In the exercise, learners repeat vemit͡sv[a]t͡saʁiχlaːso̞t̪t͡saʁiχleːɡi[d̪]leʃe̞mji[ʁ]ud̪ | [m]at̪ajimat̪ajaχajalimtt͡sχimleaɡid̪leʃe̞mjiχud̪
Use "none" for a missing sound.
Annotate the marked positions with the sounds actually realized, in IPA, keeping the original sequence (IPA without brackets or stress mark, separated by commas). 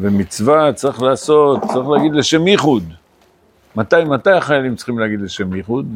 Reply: a, d̪, χ, m